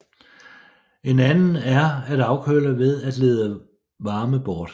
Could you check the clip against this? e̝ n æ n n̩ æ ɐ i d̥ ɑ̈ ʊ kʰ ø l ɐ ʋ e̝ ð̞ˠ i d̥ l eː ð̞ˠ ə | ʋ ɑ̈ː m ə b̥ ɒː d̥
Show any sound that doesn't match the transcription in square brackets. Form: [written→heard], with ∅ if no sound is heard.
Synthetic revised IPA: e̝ n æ n n̩ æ ɐ [i→æ] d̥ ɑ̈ ʊ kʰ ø l ɐ ʋ e̝ ð̞ˠ [i→æ] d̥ l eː ð̞ˠ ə | ʋ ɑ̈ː m ə b̥ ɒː d̥